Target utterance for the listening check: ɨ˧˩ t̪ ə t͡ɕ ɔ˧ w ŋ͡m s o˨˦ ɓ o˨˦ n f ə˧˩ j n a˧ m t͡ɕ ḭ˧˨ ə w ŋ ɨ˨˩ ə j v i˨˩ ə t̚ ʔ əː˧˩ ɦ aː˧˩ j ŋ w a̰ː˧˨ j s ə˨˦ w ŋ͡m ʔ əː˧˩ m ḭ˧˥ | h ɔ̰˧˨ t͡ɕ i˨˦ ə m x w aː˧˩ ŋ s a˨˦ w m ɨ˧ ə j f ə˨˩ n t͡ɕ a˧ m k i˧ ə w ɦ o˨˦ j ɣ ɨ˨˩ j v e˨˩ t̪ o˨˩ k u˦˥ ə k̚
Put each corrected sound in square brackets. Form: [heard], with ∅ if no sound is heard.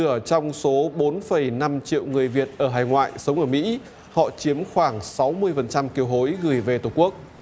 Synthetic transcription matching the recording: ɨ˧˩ [∅] ə t͡ɕ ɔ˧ w ŋ͡m s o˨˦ ɓ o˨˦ n f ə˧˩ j n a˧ m t͡ɕ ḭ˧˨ ə w ŋ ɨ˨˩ ə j v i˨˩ ə t̚ ʔ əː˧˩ ɦ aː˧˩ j ŋ w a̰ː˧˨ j s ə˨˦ w ŋ͡m ʔ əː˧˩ m ḭ˧˥ | h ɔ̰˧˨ t͡ɕ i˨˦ ə m x w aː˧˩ ŋ s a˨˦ w m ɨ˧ ə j f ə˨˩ n t͡ɕ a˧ m k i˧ ə w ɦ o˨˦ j ɣ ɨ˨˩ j v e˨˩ t̪ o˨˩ k u˦˥ ə k̚